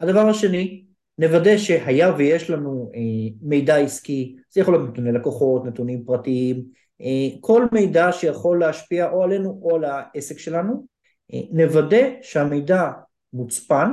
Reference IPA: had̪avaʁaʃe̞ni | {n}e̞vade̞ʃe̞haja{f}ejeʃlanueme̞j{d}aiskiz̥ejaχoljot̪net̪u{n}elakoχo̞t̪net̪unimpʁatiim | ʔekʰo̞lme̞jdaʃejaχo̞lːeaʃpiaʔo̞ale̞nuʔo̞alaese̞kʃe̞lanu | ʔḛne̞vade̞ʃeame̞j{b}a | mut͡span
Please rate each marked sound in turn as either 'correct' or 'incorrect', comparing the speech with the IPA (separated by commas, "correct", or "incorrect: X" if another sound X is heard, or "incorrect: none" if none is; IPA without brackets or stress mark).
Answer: correct, incorrect: v, correct, correct, incorrect: d